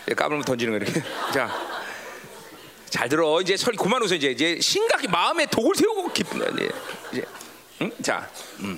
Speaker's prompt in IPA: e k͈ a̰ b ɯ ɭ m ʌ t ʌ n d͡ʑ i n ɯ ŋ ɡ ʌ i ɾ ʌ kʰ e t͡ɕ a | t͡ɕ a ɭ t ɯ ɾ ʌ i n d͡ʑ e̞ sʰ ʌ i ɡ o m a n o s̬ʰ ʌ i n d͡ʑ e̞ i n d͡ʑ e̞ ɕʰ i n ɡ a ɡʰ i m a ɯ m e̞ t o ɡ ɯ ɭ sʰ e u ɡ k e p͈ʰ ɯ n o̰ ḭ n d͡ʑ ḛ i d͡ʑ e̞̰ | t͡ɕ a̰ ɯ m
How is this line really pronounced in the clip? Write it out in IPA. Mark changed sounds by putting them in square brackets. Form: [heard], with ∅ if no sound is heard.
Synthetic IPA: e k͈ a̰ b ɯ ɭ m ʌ t ʌ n d͡ʑ i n ɯ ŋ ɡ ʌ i ɾ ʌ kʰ e t͡ɕ a | t͡ɕ a ɭ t ɯ ɾ ʌ i n d͡ʑ e̞ sʰ ʌ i [k] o m a n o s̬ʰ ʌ i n d͡ʑ e̞ i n d͡ʑ e̞ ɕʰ i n ɡ a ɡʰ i m a ɯ m e̞ t o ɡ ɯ ɭ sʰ e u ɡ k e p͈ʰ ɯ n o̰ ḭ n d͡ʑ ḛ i d͡ʑ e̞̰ | t͡ɕ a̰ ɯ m